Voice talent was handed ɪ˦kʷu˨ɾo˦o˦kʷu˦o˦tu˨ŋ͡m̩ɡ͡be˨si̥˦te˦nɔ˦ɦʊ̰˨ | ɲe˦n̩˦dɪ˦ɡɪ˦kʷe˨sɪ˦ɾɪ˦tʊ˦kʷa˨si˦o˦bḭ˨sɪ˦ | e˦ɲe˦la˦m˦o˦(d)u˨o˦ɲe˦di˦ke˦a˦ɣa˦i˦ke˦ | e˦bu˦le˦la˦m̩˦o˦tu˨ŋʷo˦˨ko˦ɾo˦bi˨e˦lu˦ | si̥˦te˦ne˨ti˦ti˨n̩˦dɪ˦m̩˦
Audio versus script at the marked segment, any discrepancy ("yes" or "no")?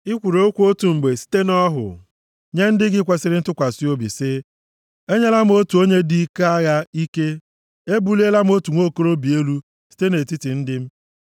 yes